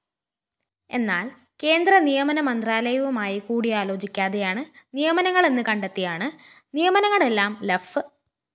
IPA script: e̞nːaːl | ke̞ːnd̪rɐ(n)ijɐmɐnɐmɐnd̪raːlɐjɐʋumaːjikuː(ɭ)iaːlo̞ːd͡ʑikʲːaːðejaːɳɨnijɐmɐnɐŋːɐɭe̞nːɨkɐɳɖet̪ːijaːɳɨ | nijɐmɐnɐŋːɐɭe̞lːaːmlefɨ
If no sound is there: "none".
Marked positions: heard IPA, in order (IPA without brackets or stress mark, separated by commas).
n, ɽ